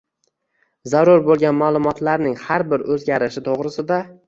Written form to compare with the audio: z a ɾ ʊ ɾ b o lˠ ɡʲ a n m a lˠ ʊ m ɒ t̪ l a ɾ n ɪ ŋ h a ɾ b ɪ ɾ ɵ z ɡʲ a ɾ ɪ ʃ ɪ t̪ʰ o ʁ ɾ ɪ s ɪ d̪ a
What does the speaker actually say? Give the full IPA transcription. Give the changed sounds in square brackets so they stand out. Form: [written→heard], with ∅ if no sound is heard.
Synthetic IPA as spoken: z a ɾ ʊ ɾ b o lˠ ɡʲ a n m a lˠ ʊ m ɒ t̪ l a ɾ n ɪ ŋ h a ɾ b ɪ ɾ ɵ z ɡʲ a ɾ ɪ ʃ ɪ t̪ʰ o ʁ ɾ ɪ s ɪ d̪ a